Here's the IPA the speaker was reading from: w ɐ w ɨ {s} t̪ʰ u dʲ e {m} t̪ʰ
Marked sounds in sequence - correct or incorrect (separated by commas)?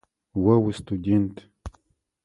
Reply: correct, incorrect